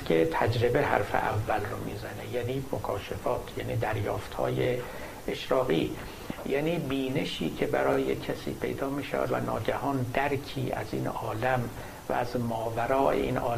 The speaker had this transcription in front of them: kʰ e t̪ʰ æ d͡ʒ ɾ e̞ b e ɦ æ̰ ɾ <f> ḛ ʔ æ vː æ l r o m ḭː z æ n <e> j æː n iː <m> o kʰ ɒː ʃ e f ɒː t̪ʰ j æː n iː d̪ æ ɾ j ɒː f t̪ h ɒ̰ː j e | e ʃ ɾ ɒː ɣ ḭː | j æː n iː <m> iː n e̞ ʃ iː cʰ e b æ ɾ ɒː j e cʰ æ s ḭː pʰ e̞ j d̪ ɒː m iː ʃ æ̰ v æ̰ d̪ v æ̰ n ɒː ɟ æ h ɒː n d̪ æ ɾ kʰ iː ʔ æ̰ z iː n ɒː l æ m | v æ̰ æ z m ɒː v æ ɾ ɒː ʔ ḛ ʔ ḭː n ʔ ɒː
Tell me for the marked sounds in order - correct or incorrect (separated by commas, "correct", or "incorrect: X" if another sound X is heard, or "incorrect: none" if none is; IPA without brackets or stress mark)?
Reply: correct, correct, correct, incorrect: b